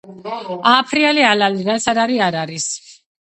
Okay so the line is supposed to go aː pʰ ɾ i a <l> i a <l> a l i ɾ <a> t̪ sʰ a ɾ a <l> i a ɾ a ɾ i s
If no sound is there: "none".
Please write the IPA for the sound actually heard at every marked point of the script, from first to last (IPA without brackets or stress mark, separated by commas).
l, l, a, ɾ